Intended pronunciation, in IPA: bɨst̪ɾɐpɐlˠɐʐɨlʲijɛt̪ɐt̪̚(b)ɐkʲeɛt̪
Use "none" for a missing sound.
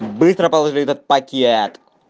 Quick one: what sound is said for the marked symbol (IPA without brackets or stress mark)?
p